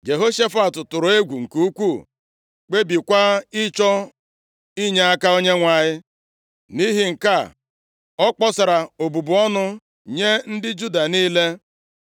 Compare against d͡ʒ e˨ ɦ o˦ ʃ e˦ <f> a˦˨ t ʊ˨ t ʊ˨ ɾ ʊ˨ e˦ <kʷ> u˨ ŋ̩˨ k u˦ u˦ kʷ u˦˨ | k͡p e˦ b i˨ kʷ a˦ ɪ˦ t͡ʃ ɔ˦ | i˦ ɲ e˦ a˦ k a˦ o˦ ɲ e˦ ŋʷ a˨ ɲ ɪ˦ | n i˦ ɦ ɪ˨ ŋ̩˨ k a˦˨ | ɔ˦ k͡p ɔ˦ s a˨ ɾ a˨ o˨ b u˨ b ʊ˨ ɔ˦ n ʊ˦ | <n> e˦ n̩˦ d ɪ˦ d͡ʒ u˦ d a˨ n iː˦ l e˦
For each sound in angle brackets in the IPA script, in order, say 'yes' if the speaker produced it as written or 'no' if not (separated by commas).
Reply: yes, no, no